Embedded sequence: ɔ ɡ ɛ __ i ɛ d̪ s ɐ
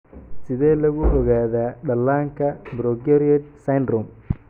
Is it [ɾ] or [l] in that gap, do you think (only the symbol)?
ɾ